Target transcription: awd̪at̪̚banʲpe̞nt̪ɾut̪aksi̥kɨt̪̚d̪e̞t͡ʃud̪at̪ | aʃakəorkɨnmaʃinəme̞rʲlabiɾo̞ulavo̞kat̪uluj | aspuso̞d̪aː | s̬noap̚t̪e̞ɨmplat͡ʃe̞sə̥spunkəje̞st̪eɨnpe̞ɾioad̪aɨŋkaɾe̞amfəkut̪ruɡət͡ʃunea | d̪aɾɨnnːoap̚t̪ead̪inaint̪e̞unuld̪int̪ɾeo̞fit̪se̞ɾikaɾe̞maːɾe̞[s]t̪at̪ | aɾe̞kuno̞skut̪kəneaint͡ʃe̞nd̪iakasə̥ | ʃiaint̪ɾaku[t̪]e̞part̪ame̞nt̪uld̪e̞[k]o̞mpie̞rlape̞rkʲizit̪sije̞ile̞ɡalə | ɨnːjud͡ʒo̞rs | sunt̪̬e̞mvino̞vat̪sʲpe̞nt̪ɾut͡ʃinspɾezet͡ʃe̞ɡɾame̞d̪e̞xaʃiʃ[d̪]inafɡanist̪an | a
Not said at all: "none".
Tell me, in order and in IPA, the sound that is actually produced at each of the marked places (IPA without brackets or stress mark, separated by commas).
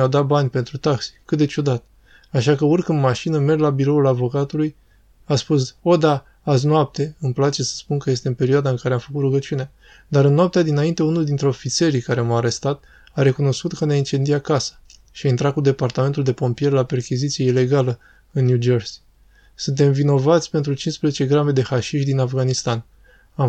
s, d̪, p, d̪